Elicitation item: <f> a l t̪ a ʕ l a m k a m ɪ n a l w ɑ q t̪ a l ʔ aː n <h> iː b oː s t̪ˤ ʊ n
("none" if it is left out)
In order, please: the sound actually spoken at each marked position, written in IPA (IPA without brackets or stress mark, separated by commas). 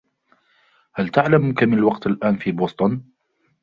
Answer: h, f